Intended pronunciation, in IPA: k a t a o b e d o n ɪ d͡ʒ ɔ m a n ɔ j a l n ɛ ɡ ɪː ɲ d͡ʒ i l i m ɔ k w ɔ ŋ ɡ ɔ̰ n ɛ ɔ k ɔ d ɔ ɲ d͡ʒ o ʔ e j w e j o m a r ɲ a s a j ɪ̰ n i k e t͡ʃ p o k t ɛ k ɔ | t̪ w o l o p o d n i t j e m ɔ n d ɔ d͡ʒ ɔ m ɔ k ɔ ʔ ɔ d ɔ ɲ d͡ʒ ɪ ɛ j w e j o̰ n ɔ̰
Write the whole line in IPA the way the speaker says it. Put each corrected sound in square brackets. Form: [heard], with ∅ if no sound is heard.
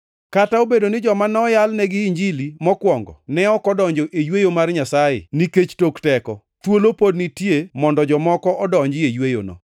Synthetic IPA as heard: k a t a o b e d o n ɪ d͡ʒ ɔ m a n ɔ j a l n ɛ ɡ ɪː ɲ d͡ʒ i l i m ɔ k w ɔ ŋ ɡ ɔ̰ n ɛ ɔ k ɔ d ɔ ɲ d͡ʒ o ʔ e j w e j o m a r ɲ a s a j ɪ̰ n i k e t͡ʃ [t] o k t ɛ k ɔ | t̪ w o l o p o d n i t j e m ɔ n d ɔ d͡ʒ ɔ m ɔ k ɔ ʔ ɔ d ɔ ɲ d͡ʒ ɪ [e] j w e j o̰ n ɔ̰